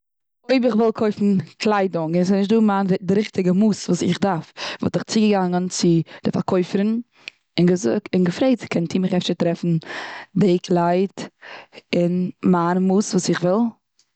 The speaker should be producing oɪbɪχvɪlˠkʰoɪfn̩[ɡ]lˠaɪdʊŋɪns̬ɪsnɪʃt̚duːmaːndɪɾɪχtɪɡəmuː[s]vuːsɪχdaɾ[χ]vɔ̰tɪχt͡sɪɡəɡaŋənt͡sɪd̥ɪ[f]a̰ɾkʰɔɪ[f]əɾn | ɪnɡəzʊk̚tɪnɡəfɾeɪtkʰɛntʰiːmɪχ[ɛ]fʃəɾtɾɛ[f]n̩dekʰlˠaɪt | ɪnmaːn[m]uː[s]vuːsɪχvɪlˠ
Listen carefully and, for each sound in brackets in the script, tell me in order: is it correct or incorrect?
incorrect: k, correct, incorrect: f, correct, correct, correct, correct, correct, correct

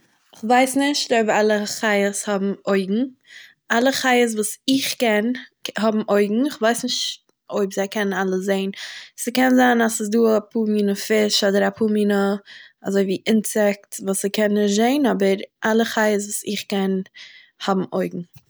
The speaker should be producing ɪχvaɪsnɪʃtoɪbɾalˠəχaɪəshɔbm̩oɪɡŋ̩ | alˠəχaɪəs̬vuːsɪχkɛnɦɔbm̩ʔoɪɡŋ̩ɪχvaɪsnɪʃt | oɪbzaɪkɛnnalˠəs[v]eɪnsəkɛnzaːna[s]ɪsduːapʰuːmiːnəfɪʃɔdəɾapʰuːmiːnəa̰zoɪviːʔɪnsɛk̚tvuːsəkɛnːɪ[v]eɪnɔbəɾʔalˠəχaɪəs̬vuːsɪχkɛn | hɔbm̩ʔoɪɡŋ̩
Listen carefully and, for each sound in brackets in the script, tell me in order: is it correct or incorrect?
incorrect: z, correct, incorrect: z

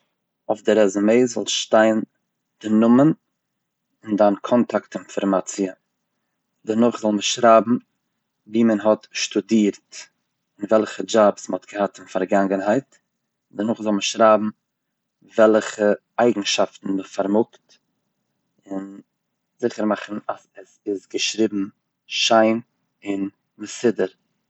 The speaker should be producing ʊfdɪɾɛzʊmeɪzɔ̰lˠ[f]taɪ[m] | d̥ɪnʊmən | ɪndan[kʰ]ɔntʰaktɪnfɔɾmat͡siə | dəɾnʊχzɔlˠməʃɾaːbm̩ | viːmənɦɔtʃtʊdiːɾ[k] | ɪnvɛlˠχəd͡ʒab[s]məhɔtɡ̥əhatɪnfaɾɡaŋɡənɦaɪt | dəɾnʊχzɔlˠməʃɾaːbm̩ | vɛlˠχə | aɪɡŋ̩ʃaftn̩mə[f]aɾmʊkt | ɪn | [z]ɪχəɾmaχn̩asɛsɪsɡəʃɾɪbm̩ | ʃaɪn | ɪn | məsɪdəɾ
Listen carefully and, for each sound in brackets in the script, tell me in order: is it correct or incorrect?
incorrect: ʃ, incorrect: n, correct, incorrect: t, correct, correct, correct

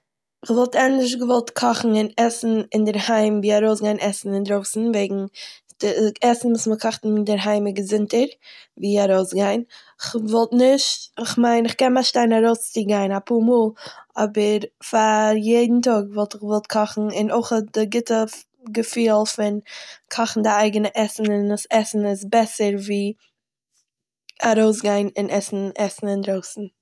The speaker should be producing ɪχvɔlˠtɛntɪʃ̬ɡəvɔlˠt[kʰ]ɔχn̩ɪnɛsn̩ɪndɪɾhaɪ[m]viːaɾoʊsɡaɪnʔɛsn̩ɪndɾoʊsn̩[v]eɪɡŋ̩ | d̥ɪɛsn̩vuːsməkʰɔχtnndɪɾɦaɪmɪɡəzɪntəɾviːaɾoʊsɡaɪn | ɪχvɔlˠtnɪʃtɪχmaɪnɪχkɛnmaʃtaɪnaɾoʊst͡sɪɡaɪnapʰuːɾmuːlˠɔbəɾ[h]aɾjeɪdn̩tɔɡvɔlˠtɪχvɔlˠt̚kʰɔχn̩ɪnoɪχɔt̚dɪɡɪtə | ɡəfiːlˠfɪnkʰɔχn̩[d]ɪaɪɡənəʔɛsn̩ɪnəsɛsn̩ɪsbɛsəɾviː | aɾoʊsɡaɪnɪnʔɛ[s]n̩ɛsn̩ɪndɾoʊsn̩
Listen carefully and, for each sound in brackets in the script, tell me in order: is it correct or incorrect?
correct, correct, correct, incorrect: f, correct, correct

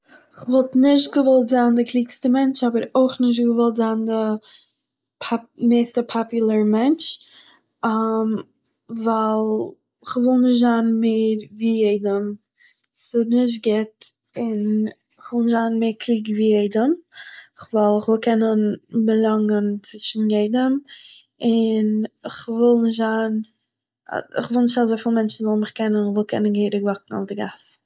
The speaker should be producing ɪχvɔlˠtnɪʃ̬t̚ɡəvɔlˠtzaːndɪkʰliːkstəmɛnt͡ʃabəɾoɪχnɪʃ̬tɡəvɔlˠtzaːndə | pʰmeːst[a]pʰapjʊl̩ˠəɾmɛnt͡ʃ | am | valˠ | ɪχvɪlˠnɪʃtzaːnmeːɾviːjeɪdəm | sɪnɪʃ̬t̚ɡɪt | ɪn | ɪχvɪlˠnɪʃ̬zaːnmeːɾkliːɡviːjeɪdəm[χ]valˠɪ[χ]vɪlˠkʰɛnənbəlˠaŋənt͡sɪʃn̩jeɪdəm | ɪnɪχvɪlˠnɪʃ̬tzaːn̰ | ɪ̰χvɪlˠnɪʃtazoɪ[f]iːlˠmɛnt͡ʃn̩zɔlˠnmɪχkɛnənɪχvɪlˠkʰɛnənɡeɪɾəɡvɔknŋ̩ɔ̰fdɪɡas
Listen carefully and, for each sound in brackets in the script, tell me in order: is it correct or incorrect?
incorrect: ə, correct, correct, correct

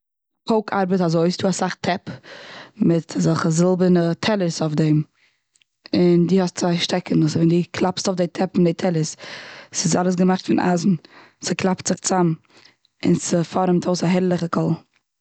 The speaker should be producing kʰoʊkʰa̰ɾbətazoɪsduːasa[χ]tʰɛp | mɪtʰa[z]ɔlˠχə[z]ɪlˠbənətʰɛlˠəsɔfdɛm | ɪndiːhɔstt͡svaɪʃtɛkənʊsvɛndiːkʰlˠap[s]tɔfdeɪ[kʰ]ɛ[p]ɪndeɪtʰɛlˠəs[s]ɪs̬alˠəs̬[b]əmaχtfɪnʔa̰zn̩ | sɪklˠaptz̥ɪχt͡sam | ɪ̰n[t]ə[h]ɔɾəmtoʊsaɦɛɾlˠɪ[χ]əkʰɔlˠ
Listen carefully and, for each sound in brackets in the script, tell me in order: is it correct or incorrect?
correct, correct, correct, correct, incorrect: tʰ, correct, correct, incorrect: ɡ, incorrect: s, incorrect: f, correct

